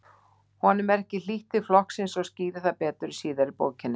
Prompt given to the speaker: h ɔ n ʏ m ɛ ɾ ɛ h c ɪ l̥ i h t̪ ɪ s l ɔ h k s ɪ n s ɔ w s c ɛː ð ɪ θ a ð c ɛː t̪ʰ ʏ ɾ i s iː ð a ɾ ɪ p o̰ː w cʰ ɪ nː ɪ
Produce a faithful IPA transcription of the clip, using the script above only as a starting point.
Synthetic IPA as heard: h ɔ n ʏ m ɛ ɾ ɛ h c ɪ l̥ i h t̪ ɪ f l ɔ h k s ɪ n s ɔ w s c iː ð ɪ θ a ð p ɛː t̪ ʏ ɾ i s iː ð a ɾ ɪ p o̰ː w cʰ ɪ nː ɪ